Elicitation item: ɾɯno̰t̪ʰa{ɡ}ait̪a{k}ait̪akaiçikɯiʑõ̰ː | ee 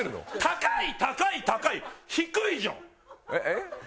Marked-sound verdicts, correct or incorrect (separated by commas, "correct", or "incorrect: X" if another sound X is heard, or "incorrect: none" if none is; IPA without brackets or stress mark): incorrect: k, correct